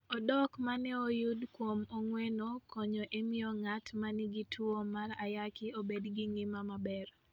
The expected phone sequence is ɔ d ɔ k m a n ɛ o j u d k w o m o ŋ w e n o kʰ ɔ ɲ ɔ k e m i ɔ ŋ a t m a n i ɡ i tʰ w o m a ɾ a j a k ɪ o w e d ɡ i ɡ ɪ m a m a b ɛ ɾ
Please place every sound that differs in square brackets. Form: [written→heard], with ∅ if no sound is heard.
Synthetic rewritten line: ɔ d ɔ k m a n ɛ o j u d k w o m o ŋ w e n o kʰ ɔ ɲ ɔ [k→ʔ] e m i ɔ ŋ a t m a n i ɡ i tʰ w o m a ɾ a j a k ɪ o [w→b] e d ɡ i [ɡ→ŋ] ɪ m a m a b ɛ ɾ

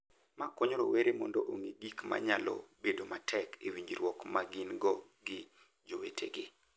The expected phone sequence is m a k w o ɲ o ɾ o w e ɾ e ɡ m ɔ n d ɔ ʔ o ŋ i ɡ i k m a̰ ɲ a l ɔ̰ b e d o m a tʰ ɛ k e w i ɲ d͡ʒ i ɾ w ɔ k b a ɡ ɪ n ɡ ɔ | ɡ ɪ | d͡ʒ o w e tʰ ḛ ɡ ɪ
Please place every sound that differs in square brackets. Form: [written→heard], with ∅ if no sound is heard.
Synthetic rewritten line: m a k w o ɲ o ɾ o w e ɾ e [ɡ→∅] m ɔ n d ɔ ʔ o ŋ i ɡ i k m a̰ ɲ a l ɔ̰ b e d o m a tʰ ɛ k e w i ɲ d͡ʒ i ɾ w ɔ k [b→m] a ɡ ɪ n ɡ ɔ | ɡ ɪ | d͡ʒ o w e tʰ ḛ ɡ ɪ

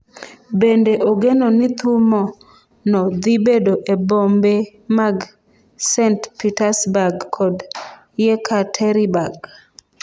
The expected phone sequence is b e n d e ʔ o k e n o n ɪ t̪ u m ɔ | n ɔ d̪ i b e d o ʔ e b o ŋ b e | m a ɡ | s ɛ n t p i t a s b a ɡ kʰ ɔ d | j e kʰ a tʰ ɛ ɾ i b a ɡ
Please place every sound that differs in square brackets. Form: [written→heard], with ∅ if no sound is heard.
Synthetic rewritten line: b e n d e ʔ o [k→ɡ] e n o n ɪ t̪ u m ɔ | n ɔ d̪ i b e d o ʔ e b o [ŋ→m] b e | m a ɡ | s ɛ n t p i t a s b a ɡ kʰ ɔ d | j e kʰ a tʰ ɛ ɾ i b a ɡ

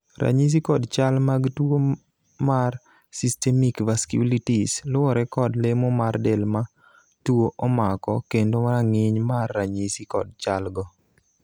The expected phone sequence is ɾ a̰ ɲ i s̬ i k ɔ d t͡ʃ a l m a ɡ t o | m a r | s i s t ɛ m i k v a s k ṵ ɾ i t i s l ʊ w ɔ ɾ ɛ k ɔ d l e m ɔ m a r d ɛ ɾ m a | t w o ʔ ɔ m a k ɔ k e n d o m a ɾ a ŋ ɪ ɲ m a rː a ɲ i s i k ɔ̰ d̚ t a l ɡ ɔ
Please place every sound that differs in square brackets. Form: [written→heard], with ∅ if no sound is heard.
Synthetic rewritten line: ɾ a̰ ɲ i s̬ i k ɔ d t͡ʃ a l m a ɡ t o | m a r | s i s t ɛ m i k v a s k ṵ [ɾ→l] i t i s l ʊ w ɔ ɾ ɛ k ɔ d l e m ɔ m a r d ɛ [ɾ→l] m a | t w o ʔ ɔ m a k ɔ k e n d o m a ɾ a ŋ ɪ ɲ m a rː a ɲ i s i k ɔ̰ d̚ [t→t͡ʃ] a l ɡ ɔ

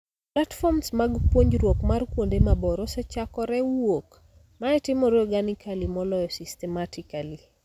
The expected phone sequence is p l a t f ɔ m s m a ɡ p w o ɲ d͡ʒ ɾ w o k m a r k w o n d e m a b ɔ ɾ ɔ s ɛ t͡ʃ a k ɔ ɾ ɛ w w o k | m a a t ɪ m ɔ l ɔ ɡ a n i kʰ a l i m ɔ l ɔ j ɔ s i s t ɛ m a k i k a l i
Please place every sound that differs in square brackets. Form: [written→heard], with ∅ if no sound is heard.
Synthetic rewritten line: p l a t f ɔ m s m a ɡ p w o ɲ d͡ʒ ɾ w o k m a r k w o n d e m a b ɔ ɾ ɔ s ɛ t͡ʃ a k ɔ ɾ ɛ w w o k | m a [a→ɛ] t ɪ m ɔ [l→ɾ] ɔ ɡ a n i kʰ a l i m ɔ l ɔ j ɔ s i s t ɛ m a [k→t] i k a l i

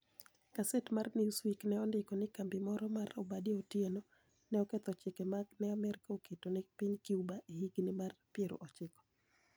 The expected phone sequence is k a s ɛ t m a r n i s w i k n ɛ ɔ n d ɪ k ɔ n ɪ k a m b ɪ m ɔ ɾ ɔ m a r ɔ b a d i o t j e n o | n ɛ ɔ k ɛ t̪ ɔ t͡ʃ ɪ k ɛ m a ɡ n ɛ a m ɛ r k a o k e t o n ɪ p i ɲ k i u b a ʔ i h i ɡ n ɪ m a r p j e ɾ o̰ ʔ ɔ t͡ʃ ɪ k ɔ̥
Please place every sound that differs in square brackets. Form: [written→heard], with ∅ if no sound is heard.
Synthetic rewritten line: k a s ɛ t m a r n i s w i k n ɛ ɔ n d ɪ k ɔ n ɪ k a m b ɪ m ɔ ɾ ɔ m a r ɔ b a d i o t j e n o | n ɛ ɔ k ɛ t̪ ɔ t͡ʃ ɪ k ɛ m a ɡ n ɛ a m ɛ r k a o k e t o n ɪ p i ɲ k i u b a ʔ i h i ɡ n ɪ m a r p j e ɾ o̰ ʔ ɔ t͡ʃ ɪ k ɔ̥

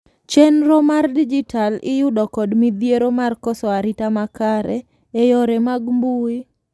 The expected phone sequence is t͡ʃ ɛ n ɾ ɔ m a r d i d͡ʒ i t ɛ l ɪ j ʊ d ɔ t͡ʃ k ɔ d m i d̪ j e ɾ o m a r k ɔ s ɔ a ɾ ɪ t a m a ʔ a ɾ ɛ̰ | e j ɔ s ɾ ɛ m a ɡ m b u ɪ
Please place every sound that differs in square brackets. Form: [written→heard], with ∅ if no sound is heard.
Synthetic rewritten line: t͡ʃ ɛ n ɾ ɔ m a r d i d͡ʒ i t [ɛ→a] l ɪ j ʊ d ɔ [t͡ʃ→∅] k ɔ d m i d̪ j e ɾ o m a r k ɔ s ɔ a ɾ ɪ t a m a [ʔ→k] a ɾ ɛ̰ | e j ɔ [s→∅] ɾ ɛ m a ɡ m b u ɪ

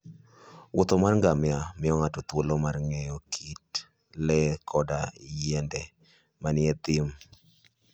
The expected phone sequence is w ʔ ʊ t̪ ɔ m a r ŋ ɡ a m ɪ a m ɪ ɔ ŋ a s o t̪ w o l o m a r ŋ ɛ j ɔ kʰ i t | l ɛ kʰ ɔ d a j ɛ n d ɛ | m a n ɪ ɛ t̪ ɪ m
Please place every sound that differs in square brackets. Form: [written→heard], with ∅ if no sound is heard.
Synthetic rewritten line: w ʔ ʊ t̪ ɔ m a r ŋ ɡ a m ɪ a m ɪ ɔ ŋ a [s→t] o t̪ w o l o m a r ŋ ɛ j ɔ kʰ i t | l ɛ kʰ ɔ d a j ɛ n d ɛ | m a n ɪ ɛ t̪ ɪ m

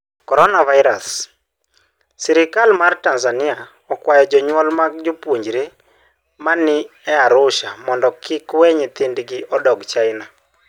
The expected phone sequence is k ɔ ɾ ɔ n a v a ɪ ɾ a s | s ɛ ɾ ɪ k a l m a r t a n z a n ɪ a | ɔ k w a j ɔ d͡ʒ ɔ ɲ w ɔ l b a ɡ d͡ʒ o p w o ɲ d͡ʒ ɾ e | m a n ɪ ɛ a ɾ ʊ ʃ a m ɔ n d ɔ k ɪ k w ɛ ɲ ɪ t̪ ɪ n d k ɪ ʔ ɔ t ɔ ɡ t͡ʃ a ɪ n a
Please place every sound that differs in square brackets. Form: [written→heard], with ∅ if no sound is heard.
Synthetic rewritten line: k ɔ ɾ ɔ n a v a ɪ ɾ a s | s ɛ ɾ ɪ k a l m a r t a n z a n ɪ a | ɔ k w a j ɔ d͡ʒ ɔ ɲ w ɔ l [b→m] a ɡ d͡ʒ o p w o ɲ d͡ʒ ɾ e | m a n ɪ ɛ a ɾ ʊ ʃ a m ɔ n d ɔ k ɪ k w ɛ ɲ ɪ t̪ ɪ n d [k→ɡ] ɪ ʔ ɔ [t→d] ɔ ɡ t͡ʃ a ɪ n a

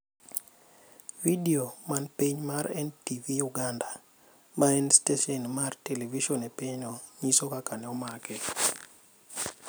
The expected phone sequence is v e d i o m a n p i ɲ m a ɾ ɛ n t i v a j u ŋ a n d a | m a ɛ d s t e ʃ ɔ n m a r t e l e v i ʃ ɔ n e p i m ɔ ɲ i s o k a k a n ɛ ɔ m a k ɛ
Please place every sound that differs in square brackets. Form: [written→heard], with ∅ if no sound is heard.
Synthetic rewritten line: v [e→i] d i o m a n p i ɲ m a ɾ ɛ n t i v [a→i] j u [ŋ→ɡ] a n d a | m a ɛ [d→n] s t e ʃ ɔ n m a r t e l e v i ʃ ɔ n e p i [m→ɲ] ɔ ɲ i s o k a k a n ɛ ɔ m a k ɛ

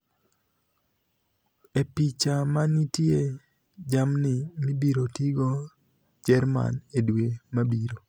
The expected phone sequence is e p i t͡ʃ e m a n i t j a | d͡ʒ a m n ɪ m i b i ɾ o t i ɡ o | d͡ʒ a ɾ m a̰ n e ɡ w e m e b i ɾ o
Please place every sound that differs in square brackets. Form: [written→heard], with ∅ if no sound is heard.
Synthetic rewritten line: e p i t͡ʃ [e→a] m a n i t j [a→e] | d͡ʒ a m n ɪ m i b i ɾ o t i ɡ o | d͡ʒ [a→ɛ] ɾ m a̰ n e [ɡ→d] w e m [e→a] b i ɾ o

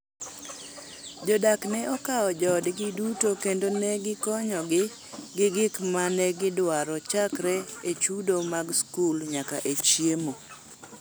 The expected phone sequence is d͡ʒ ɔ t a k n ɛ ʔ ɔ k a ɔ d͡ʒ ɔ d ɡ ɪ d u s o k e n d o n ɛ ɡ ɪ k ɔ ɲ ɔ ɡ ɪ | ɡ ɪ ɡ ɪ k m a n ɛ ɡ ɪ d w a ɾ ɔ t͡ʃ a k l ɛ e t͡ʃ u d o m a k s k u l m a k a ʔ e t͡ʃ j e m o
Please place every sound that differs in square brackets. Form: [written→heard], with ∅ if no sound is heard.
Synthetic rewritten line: d͡ʒ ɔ [t→d] a k n ɛ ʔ ɔ k a ɔ d͡ʒ ɔ d ɡ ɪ d u [s→t] o k e n d o n ɛ ɡ ɪ k ɔ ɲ ɔ ɡ ɪ | ɡ ɪ ɡ ɪ k m a n ɛ ɡ ɪ d w a ɾ ɔ t͡ʃ a k [l→ɾ] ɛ e t͡ʃ u d o m a [k→ɡ] s k u l [m→ɲ] a k a ʔ e t͡ʃ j e m o

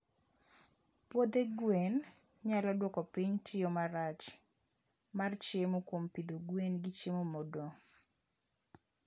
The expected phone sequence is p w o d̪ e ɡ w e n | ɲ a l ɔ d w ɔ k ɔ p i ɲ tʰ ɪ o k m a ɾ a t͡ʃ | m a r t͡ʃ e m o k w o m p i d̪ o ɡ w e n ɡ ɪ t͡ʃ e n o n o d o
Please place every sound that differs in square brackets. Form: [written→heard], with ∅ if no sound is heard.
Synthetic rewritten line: p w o d̪ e ɡ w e n | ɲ a l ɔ d w ɔ k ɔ p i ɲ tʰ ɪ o [k→∅] m a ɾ a t͡ʃ | m a r t͡ʃ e m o k w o m p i d̪ o ɡ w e n ɡ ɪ t͡ʃ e [n→m] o [n→m] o d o

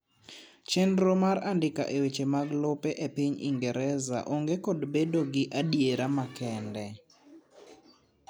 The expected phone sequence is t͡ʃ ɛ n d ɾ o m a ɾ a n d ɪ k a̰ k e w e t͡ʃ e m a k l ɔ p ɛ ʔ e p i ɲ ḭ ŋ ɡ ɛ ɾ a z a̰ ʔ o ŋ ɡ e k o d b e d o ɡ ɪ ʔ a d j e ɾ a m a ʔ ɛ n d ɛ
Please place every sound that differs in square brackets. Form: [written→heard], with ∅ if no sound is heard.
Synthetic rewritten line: t͡ʃ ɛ n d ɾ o m a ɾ a n d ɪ k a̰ [k→ʔ] e w e t͡ʃ e m a [k→ɡ] l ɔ p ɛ ʔ e p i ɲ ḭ ŋ ɡ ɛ ɾ [a→ɛ] z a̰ ʔ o ŋ ɡ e k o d b e d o ɡ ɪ ʔ a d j e ɾ a m a [ʔ→k] ɛ n d ɛ

